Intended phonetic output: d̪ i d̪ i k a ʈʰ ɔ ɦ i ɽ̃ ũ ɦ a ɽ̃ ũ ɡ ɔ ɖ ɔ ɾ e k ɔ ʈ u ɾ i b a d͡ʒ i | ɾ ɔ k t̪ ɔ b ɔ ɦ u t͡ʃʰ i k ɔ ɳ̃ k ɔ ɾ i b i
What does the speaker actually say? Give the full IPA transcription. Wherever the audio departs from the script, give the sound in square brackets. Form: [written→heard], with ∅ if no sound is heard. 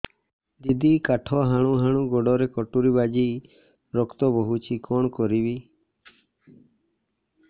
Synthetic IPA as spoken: d̪ i d̪ i k a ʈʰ ɔ ɦ [i→a] ɽ̃ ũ ɦ a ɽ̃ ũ ɡ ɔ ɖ ɔ ɾ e k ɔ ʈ u ɾ i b a d͡ʒ i | ɾ ɔ k t̪ ɔ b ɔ ɦ u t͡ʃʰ i k ɔ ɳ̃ k ɔ ɾ i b i

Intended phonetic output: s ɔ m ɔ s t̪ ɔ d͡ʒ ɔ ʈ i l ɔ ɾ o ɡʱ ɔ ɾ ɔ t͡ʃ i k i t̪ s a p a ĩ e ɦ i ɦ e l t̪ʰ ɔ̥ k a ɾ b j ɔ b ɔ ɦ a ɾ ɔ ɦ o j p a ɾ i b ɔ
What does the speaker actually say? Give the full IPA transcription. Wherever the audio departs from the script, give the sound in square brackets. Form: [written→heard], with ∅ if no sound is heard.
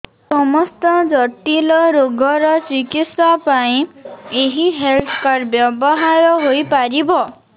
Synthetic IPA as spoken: s ɔ m ɔ s t̪ ɔ d͡ʒ ɔ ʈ i l ɔ ɾ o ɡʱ ɔ ɾ ɔ t͡ʃ i k i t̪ s a p a ĩ e ɦ i ɦ e l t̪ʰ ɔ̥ k a ɾ b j ɔ b ɔ ɦ a ɾ ɔ ɦ o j p a ɾ i b ɔ

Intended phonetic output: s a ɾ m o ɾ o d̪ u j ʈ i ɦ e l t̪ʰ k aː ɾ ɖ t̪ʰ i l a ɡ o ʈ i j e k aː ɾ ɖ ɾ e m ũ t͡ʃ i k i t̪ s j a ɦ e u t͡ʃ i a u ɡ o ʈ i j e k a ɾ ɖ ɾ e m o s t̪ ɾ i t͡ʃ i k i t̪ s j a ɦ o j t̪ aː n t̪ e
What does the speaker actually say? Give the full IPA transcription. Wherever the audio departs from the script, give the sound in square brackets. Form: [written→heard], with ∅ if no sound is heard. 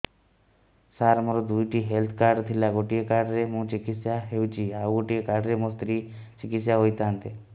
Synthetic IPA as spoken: s a ɾ m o ɾ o d̪ u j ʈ i ɦ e l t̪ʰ k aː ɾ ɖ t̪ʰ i l a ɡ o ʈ i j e k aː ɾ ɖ ɾ e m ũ t͡ʃ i k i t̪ s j a ɦ e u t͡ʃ i a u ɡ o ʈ i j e k a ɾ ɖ ɾ e m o s t̪ ɾ i t͡ʃ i k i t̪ s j a ɦ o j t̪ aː n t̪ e

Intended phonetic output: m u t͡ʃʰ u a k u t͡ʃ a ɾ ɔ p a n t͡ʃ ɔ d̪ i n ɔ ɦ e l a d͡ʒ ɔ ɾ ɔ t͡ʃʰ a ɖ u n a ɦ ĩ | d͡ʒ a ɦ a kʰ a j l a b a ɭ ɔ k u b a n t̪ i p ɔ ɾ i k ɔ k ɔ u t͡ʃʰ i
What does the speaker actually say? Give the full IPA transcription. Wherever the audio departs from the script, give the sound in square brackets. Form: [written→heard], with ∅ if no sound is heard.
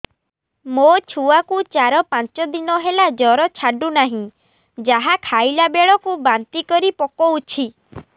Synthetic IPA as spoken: m [u→o] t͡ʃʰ u a k u t͡ʃ a ɾ ɔ p a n t͡ʃ ɔ d̪ i n ɔ ɦ e l a d͡ʒ ɔ ɾ ɔ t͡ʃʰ a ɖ u n a ɦ ĩ | d͡ʒ a ɦ a kʰ a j l a b [a→e] ɭ ɔ k u b a n t̪ i [p→k] ɔ ɾ i [k→p] ɔ k ɔ u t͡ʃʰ i

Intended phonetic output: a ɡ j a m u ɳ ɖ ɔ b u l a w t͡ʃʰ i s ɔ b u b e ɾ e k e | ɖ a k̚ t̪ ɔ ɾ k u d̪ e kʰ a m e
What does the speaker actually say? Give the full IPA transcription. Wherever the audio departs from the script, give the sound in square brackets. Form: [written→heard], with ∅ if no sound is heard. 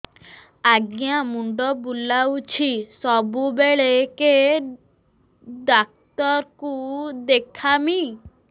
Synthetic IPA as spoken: a ɡ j a m u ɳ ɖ ɔ b u l a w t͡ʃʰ i s ɔ b u b e [ɾ→ɭ] e k e | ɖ a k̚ t̪ ɔ ɾ k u d̪ e kʰ a m [e→i]

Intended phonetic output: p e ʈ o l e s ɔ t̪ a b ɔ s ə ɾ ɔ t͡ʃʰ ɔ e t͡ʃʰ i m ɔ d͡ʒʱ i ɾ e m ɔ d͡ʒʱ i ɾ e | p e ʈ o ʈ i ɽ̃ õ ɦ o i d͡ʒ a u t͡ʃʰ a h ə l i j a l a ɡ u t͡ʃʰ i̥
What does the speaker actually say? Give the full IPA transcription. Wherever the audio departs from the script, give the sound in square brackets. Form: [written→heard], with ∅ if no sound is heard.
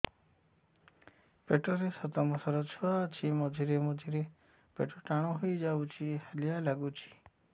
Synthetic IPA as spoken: p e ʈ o [l→ɾ] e s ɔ t̪ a [b→m] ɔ s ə ɾ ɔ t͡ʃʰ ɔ [e→a] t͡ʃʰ i m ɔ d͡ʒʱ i ɾ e m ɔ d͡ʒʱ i ɾ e | p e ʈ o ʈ [i→a] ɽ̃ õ ɦ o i d͡ʒ a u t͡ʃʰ [a→i] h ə l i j a l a ɡ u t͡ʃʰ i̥

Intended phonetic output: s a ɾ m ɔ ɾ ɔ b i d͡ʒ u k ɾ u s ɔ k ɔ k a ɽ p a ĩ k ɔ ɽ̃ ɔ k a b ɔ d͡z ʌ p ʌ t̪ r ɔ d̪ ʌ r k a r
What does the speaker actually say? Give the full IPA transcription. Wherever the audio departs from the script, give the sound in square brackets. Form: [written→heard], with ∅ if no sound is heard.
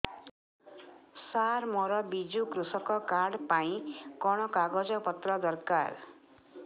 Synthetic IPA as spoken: s a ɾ m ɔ ɾ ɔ b i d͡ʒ u k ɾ u s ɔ k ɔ k a ɽ p a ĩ k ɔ ɽ̃ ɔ k a [b→ɡ] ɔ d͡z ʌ p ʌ t̪ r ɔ d̪ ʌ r k a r

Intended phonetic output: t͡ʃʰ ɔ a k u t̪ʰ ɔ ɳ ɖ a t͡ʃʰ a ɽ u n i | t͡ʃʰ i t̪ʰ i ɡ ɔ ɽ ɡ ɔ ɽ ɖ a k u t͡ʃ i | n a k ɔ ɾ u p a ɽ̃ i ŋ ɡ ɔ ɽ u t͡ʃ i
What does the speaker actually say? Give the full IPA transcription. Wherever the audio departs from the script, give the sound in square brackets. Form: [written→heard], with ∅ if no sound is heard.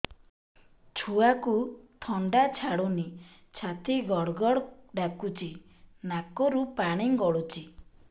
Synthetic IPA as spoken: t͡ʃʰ [ɔ→u] a k u t̪ʰ ɔ ɳ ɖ a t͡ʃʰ a ɽ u n i | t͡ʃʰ [i→a] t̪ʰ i ɡ ɔ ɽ ɡ ɔ ɽ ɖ a k u t͡ʃ i | n a k ɔ ɾ u p a ɽ̃ i ŋ ɡ ɔ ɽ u t͡ʃ i

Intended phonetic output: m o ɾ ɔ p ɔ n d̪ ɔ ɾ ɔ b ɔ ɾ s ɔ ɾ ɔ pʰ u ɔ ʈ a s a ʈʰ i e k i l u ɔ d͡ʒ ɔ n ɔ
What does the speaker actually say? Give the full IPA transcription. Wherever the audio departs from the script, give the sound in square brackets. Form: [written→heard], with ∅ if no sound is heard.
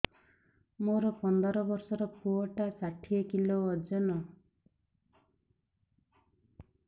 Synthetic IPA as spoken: m o ɾ ɔ p ɔ n d̪ ɔ ɾ ɔ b ɔ ɾ s ɔ ɾ ɔ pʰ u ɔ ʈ a s a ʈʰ i e k i l [u→o] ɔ d͡ʒ ɔ n ɔ

